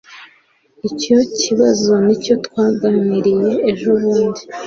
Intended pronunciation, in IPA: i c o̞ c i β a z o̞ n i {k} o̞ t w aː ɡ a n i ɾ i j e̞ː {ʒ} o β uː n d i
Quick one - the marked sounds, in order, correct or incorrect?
incorrect, correct

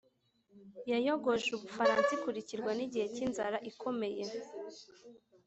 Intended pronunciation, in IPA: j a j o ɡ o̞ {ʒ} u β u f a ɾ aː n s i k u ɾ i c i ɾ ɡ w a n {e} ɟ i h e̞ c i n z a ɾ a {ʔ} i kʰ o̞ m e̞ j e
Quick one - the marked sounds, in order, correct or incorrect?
correct, incorrect, correct

